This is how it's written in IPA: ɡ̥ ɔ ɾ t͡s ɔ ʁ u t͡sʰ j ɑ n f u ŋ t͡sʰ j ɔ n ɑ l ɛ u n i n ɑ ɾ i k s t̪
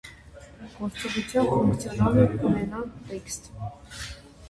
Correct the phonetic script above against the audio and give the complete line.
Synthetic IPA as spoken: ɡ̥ ɔ ɾ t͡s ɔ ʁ u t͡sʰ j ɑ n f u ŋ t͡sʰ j ɔ n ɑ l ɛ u n ɛ n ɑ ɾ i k s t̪